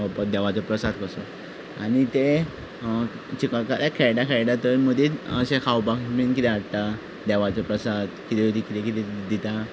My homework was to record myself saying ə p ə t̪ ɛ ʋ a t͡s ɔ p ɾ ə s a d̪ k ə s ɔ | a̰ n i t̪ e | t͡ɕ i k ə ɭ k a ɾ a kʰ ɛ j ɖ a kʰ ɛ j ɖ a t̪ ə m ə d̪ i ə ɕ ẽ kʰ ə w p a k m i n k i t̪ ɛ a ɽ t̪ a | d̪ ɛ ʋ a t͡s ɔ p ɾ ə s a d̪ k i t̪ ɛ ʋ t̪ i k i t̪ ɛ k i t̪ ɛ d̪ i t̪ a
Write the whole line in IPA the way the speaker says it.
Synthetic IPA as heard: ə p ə d̪ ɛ ʋ a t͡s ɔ p ɾ ə s a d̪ k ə s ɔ | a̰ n i t̪ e | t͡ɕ i k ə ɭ k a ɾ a kʰ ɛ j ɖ a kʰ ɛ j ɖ a t̪ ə m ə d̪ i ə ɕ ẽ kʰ a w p a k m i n k i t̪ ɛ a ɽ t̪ a | d̪ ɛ ʋ a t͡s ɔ p ɾ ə s a d̪ k i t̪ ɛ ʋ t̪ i k i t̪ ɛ k i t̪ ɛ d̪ i t̪ a

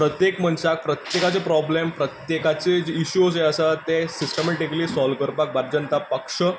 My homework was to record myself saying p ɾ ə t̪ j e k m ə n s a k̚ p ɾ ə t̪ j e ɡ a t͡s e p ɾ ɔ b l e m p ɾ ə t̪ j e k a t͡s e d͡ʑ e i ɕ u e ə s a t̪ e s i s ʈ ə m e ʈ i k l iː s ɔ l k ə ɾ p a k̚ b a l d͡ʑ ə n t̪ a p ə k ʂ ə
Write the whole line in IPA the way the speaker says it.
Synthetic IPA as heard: p ɾ ə t̪ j e k m ə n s a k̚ p ɾ ə t̪ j e k a t͡s e p ɾ ɔ b l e m p ɾ ə t̪ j e k a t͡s e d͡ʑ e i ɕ u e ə s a t̪ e s i s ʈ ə m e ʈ i k l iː s ɔ l k ə ɾ p a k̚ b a ɾ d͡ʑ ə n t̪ a p ə k ʂ ə

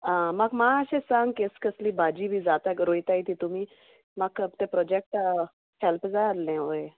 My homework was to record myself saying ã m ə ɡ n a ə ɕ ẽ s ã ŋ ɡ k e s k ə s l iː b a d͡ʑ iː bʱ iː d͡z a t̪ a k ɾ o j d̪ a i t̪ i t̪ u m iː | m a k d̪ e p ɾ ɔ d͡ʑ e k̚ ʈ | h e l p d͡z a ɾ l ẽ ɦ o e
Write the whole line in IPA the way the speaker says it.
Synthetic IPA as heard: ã m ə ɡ m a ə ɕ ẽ s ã ŋ ɡ k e s k ə s l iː b a d͡ʑ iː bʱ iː d͡z a t̪ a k ɾ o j t̪ a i t̪ i t̪ u m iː | m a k t̪ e p ɾ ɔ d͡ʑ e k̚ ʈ | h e l p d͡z a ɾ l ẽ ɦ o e

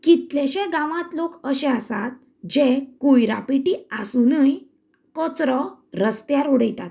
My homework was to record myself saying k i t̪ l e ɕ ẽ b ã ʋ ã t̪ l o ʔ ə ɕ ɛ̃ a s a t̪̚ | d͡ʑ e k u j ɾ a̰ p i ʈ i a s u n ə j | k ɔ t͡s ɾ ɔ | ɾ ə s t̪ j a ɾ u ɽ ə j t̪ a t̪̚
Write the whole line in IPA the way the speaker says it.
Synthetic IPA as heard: k i t̪ l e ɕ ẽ ɡ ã ʋ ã t̪ l o k ə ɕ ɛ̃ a s a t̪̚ | d͡ʑ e k u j ɾ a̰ p i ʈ i a s u n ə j | k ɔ t͡s ɾ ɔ | ɾ ə s t̪ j a ɾ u ɽ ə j t̪ a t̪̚

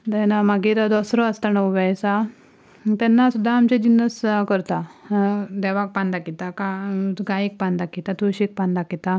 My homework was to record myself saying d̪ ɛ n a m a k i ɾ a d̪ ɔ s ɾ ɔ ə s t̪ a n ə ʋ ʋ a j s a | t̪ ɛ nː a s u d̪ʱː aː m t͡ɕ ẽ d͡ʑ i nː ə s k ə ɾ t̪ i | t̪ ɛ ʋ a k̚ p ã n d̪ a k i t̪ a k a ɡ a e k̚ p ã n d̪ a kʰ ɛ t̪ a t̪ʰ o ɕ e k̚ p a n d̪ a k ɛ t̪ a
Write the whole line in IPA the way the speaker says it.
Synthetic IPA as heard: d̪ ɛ n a m a ɡ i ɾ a d̪ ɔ s ɾ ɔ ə s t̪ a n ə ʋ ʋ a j s a | t̪ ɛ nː a s u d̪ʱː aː m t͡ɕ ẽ d͡ʑ i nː ə s k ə ɾ t̪ a | d̪ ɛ ʋ a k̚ p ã n d̪ a k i t̪ a k a ɡ a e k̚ p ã n d̪ a k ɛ t̪ a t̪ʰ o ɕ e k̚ p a n d̪ a k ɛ t̪ a

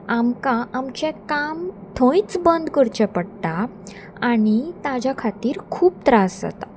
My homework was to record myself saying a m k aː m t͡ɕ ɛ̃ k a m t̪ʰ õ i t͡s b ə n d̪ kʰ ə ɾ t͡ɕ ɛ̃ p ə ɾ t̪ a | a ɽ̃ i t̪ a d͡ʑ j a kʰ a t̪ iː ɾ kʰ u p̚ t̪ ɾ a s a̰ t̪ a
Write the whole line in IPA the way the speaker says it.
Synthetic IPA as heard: a m k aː m t͡ɕ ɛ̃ k a m t̪ʰ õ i t͡s b ə n d̪ k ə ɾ t͡ɕ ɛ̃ p ə ɽ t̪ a | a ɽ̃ i t̪ a d͡ʑ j a kʰ a t̪ iː ɾ kʰ uː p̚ t̪ ɾ a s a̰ t̪ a

